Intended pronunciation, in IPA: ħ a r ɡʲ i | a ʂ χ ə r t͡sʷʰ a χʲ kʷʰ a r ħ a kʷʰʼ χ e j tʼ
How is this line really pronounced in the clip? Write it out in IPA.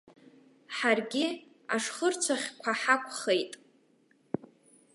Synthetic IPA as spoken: ħ a r ɡʲ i | a ʂ χ ə r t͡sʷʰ a χʲ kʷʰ a ħ a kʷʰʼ χ e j tʼ